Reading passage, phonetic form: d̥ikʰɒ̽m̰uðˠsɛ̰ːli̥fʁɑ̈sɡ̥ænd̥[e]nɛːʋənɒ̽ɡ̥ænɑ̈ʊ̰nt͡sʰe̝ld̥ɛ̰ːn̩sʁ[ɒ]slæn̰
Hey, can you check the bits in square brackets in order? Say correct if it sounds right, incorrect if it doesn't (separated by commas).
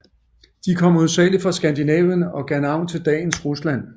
incorrect, incorrect